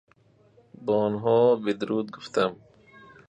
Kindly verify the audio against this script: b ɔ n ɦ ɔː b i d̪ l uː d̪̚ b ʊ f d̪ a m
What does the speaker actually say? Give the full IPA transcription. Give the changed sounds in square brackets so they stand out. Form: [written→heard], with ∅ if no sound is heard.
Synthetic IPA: b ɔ n ɦ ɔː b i d̪ [l→ɾ] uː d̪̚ [b→ɡ] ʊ f [d̪→t̪] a m